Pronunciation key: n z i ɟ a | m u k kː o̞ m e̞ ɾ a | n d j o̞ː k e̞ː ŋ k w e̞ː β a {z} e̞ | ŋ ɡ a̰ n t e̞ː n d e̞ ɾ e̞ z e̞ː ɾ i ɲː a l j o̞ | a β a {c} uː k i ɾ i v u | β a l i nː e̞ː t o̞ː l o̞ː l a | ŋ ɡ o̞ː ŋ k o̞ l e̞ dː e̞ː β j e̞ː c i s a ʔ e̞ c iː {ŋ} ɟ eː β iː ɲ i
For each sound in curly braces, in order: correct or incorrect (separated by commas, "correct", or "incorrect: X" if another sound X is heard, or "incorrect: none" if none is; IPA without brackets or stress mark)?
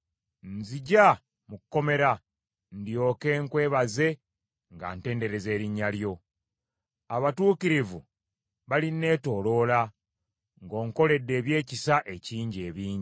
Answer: correct, incorrect: t, incorrect: ɲ